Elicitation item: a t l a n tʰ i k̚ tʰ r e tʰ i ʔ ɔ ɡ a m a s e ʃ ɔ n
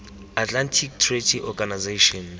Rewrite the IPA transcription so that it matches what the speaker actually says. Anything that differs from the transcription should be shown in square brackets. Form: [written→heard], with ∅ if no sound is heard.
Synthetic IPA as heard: a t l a n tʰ i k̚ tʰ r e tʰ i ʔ ɔ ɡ a [m→n] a [s→z] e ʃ ɔ n